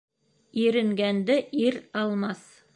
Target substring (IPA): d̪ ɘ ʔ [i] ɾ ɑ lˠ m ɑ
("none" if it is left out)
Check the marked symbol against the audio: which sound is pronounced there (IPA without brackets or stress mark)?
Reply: i